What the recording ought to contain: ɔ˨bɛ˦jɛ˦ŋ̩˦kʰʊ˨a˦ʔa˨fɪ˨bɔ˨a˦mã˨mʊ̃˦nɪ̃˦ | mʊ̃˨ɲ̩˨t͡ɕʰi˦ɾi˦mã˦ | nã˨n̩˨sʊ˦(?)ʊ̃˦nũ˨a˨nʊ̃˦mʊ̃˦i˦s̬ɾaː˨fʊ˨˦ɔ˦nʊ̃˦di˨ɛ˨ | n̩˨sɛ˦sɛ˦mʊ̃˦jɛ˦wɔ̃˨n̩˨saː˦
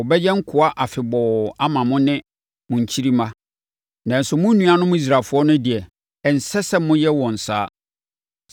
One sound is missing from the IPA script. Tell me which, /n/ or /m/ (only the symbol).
m